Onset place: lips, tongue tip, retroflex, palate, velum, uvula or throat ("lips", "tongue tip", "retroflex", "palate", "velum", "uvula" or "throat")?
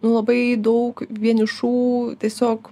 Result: tongue tip